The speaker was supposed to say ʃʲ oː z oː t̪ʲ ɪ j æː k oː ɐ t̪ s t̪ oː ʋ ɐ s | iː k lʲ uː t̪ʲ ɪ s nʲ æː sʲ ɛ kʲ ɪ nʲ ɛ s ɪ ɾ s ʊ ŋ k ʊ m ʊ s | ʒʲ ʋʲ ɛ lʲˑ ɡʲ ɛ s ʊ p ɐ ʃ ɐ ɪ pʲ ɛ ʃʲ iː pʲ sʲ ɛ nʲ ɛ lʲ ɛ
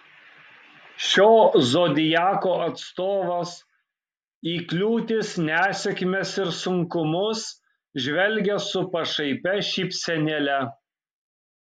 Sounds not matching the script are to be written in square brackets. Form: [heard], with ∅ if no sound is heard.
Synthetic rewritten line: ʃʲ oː z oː [d̪ʲ] ɪ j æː k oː ɐ t̪ s t̪ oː ʋ ɐ s | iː k lʲ uː t̪ʲ ɪ s nʲ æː sʲ ɛ kʲ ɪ [mʲ] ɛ s ɪ ɾ s ʊ ŋ k ʊ m ʊ s | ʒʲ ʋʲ ɛ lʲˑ ɡʲ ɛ s ʊ p ɐ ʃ ɐ ɪ pʲ ɛ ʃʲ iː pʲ sʲ ɛ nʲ ɛ lʲ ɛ